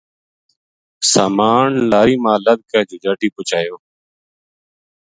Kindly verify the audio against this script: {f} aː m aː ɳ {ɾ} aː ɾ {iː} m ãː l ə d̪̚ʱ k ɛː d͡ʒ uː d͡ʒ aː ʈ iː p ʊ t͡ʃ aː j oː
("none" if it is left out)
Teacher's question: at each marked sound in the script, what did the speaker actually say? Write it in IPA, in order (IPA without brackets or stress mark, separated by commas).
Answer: s, l, iː